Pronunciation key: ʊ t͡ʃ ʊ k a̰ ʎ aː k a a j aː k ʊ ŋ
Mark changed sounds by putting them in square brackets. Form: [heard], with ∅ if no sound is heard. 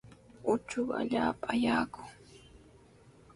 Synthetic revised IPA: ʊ t͡ʃ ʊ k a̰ ʎ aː [p] a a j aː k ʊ ŋ

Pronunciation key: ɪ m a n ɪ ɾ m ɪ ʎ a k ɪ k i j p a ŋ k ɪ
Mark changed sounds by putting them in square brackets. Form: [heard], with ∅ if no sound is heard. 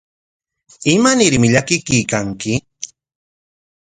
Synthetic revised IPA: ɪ m a n ɪ ɾ m ɪ ʎ a k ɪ k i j [k] a ŋ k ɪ

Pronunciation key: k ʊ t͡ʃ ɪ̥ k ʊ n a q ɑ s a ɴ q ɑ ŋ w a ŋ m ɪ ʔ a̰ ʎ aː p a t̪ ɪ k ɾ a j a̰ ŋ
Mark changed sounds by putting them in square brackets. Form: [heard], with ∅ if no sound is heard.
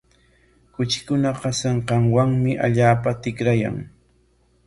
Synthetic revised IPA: k ʊ t͡ʃ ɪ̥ k ʊ n a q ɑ s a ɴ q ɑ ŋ w a ŋ m ɪ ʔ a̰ ʎ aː p a t̪ ɪ k ɾ a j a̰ ŋ

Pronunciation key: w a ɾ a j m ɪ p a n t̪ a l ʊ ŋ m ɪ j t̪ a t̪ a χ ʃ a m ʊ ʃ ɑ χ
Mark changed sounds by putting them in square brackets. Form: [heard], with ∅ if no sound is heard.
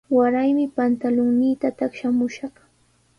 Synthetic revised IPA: w a ɾ a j m ɪ p a n t̪ a l ʊ ŋ [n] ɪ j t̪ a t̪ a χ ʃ a m ʊ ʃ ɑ χ

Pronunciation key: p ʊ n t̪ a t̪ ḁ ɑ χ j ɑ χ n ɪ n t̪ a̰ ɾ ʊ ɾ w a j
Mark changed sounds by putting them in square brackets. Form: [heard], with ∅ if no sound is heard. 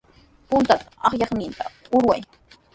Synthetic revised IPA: p ʊ n t̪ a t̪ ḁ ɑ χ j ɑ χ n ɪ n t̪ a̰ [∅] ʊ ɾ w a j

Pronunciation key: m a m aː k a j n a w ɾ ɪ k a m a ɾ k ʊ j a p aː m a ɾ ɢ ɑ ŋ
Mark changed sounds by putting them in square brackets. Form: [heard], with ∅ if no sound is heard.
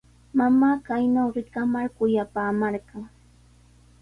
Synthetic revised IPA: m a m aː k a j n a w ɾ ɪ k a m a ɾ k ʊ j a p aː m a ɾ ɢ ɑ ŋ

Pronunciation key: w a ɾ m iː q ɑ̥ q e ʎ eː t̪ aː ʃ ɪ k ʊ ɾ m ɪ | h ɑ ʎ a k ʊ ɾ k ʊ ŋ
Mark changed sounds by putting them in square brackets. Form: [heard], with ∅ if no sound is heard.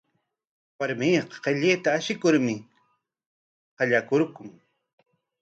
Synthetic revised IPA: w a ɾ m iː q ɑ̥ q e ʎ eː t̪ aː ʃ ɪ k ʊ ɾ m ɪ | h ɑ ʎ a k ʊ ɾ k ʊ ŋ

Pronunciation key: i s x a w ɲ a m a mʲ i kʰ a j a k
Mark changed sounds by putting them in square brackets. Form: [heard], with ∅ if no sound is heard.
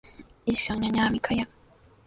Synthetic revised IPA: i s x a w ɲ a [ɲ] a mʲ i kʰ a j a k

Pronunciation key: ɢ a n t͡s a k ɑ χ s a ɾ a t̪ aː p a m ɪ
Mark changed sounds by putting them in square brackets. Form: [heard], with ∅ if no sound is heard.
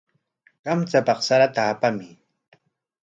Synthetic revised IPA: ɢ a [m] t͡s a [p] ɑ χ s a ɾ a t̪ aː p a m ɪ

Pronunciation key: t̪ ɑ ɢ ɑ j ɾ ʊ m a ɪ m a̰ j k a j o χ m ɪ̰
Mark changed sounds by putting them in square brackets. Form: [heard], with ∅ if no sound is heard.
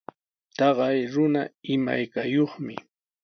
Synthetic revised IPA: t̪ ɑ ɢ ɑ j ɾ ʊ [n] a ɪ m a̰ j k a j o χ m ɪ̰

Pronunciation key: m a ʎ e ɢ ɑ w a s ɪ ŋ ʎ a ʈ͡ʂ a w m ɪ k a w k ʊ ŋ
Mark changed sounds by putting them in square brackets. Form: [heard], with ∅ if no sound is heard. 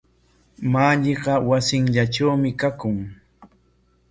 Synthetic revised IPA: m a ʎ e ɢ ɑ w a s ɪ ŋ ʎ a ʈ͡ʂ a w m ɪ k a [∅] k ʊ ŋ

